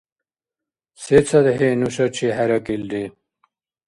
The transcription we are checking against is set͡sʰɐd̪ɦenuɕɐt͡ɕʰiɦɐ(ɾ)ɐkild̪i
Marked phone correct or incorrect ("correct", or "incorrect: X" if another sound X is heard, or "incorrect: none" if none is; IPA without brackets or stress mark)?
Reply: correct